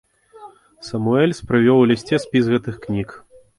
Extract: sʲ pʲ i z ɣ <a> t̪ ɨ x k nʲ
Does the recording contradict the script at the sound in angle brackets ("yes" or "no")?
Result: yes